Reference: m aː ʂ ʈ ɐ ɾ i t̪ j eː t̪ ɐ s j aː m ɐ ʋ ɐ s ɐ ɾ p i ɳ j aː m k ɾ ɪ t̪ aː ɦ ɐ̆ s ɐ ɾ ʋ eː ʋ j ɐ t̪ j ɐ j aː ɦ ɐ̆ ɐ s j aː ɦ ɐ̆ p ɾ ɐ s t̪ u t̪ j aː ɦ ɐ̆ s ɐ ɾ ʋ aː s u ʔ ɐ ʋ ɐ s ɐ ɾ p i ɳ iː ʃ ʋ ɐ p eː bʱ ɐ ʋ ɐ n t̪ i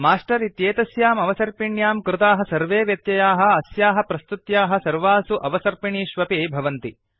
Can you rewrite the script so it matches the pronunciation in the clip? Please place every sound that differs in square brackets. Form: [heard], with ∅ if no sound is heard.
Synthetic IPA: m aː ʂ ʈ ɐ ɾ i t̪ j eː t̪ ɐ s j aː m ɐ ʋ ɐ s ɐ ɾ p i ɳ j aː m k ɾ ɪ t̪ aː ɦ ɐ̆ s ɐ ɾ ʋ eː ʋ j ɐ t̪ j ɐ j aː ɦ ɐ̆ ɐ s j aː ɦ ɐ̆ p ɾ ɐ s t̪ u t̪ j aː ɦ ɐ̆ s ɐ ɾ ʋ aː s u ʔ ɐ ʋ ɐ s ɐ ɾ p i ɳ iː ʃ ʋ ɐ p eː bʱ ɐ ʋ ɐ n t̪ i

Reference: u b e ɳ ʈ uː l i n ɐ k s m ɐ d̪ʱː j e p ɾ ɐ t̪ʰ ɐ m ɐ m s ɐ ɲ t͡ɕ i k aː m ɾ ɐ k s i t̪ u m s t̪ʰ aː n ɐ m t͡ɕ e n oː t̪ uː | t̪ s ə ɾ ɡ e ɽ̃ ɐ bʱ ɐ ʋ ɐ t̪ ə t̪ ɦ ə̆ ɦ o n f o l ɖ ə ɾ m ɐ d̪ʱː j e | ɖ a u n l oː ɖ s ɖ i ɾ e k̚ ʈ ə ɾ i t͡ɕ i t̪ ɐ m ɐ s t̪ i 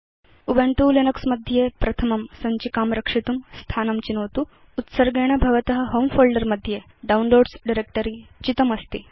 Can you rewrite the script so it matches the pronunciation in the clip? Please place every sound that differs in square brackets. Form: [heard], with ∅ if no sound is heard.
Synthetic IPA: u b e ɳ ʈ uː l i n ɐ k s m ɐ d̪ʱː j e p ɾ ɐ t̪ʰ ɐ m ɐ m s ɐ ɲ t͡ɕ i k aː m ɾ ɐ k [ʂ] i t̪ u m s t̪ʰ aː n ɐ m t͡ɕ [i] n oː t̪ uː | t̪ s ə ɾ ɡ e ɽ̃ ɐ bʱ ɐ ʋ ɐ t̪ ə [∅] ɦ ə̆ ɦ o [m] f o l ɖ ə ɾ m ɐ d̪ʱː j e | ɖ a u n l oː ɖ s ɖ i ɾ e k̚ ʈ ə ɾ i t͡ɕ i t̪ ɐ m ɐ s t̪ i

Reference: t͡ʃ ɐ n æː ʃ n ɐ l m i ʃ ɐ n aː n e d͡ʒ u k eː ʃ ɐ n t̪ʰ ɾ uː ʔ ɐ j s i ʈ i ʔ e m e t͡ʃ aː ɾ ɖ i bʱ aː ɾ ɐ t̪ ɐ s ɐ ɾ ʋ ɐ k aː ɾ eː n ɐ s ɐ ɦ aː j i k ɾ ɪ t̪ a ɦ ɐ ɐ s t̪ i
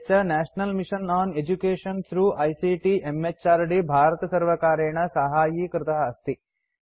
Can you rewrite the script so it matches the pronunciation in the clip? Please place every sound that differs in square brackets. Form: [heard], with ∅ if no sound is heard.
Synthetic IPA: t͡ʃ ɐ n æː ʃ n ɐ l m i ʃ ɐ n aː n e d͡ʒ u k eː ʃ ɐ n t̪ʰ ɾ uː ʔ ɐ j s i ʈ i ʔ e m e t͡ʃ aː ɾ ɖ i bʱ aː ɾ ɐ t̪ ɐ s ɐ ɾ ʋ ɐ k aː ɾ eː [ɳ] ɐ s ɐ ɦ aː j i k ɾ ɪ t̪ [ɐ] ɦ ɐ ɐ s t̪ i

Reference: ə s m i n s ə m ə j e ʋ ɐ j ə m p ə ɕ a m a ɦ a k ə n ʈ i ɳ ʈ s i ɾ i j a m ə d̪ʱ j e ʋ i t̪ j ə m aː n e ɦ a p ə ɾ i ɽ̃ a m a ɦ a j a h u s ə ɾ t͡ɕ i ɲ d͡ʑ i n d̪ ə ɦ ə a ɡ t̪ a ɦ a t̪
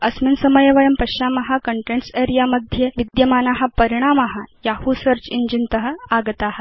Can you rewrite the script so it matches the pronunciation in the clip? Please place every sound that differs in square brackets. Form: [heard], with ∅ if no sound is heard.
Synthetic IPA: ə s m i n s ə m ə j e ʋ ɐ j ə m p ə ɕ a m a ɦ a k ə [ɳ] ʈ [e] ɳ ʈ s [e] ɾ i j a m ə d̪ʱ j e ʋ i [d̪] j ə m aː n [a] ɦ a p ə ɾ i ɽ̃ a m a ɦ a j a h u s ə ɾ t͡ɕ i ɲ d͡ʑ i n [t̪] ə ɦ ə a ɡ t̪ a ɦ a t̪

